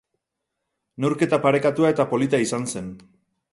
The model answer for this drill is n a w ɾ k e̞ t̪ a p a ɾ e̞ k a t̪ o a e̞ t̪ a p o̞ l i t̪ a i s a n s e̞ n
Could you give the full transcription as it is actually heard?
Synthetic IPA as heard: n e w ɾ k e̞ t̪ a p a ɾ e̞ k a t̪ u a e̞ t̪ a p o̞ l i t̪ a i s a n s e̞ n